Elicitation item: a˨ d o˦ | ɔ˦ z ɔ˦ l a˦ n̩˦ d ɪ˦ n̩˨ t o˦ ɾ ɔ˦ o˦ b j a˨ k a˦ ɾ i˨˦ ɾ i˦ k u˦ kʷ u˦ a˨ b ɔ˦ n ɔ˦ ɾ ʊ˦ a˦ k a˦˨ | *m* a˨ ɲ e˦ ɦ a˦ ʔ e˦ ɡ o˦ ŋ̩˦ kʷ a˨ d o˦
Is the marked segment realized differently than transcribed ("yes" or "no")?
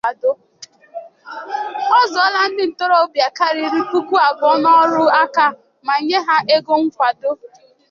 no